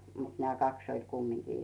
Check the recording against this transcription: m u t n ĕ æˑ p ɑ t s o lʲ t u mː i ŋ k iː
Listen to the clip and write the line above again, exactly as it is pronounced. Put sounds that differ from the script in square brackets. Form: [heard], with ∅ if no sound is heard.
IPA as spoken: m u t n ĕ æˑ [k] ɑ [k] s o lʲ [k] u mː i ŋ k iː